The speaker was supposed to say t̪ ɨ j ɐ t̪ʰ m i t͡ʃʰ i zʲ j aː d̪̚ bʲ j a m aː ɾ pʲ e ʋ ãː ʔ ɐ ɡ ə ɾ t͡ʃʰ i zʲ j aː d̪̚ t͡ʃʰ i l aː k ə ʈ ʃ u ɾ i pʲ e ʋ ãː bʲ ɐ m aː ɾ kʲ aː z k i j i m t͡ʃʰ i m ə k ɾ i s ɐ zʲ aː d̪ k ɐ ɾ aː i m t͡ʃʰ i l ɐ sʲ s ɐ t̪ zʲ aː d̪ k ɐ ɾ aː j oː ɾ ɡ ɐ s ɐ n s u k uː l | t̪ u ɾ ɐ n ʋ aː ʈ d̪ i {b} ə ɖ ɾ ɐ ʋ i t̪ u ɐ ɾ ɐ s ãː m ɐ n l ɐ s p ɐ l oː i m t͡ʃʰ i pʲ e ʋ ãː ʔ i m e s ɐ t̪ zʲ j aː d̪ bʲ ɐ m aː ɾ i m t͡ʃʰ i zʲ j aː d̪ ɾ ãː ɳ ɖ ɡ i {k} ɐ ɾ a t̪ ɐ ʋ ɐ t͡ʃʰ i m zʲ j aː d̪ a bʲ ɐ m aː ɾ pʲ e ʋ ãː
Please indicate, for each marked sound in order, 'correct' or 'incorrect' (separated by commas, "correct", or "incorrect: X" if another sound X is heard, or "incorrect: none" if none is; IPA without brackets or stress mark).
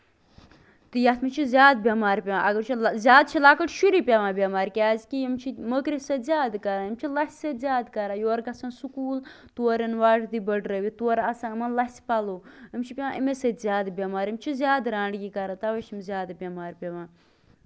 correct, correct